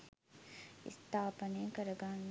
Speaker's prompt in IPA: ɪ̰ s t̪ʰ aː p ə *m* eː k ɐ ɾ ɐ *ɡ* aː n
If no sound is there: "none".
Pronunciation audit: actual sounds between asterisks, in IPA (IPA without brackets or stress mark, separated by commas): n, ɡ